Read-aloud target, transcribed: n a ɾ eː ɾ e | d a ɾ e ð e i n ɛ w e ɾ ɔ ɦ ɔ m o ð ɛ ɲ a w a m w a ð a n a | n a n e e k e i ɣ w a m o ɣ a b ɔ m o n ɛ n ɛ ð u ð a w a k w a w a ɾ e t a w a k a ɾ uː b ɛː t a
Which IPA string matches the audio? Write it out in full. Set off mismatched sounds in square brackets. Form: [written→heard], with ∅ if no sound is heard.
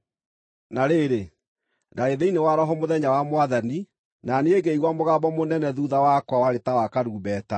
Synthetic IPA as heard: n a ɾ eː ɾ e | d a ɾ e ð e i n [ɛ→e] w [e→a] ɾ ɔ ɦ ɔ m o ð ɛ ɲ a w a m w a ð a n [a→i] | n a n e e [k→ɡ] e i ɣ w a m o ɣ a b ɔ m o n ɛ n ɛ ð u ð a w a k w a w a ɾ e t a w a k a ɾ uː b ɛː t a